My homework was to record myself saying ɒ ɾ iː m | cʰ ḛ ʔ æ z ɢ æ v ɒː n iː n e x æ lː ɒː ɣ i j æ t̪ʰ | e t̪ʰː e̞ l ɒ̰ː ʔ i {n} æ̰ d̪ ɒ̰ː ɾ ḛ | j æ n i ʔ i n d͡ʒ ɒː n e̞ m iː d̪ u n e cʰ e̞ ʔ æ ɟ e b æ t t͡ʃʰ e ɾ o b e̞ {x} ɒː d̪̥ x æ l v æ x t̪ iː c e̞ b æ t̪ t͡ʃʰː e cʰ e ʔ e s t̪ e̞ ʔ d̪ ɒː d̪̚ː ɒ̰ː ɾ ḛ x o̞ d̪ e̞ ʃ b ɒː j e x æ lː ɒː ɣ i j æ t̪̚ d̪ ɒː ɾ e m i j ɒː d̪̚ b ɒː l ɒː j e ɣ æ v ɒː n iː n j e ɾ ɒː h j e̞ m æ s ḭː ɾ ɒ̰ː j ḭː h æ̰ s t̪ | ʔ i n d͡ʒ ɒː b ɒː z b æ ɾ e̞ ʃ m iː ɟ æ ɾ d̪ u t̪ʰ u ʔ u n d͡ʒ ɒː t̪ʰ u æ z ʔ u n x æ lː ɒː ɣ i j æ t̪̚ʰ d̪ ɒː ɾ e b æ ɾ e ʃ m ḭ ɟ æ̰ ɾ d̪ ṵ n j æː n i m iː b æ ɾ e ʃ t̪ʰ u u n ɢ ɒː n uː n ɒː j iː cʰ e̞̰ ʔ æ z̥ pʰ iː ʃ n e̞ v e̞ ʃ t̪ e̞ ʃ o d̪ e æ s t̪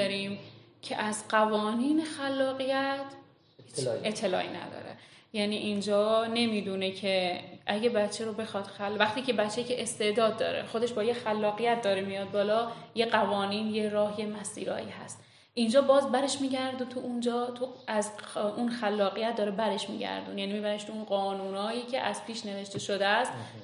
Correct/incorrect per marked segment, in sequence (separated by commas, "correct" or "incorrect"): correct, correct